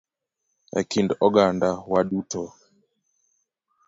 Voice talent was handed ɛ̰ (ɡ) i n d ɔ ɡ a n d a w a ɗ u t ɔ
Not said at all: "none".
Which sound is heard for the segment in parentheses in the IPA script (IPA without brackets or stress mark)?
k